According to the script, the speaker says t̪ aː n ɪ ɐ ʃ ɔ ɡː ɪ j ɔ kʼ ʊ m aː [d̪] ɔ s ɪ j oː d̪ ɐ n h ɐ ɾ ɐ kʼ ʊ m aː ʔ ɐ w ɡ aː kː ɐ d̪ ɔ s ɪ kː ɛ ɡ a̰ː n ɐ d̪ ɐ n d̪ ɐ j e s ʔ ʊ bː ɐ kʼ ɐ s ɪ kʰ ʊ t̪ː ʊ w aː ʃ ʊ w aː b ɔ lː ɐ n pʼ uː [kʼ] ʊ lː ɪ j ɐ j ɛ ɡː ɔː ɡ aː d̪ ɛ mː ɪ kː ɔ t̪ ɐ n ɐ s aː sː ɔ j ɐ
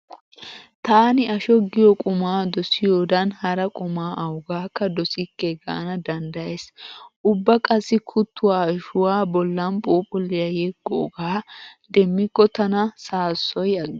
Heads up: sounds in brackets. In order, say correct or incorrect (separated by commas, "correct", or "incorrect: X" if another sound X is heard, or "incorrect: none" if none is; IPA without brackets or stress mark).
correct, incorrect: pʼ